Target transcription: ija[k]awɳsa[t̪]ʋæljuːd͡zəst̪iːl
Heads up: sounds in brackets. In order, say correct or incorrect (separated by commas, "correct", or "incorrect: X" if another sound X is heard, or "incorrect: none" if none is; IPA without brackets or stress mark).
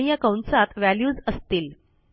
correct, correct